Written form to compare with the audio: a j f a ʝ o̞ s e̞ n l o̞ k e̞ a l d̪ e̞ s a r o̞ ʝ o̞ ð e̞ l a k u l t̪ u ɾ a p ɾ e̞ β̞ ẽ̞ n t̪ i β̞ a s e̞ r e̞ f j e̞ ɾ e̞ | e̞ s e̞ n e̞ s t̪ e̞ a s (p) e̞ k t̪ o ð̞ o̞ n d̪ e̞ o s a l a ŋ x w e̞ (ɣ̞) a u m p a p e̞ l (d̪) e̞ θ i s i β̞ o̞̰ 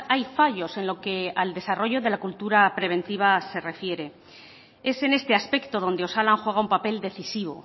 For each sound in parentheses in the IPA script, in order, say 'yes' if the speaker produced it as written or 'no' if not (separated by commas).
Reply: yes, yes, yes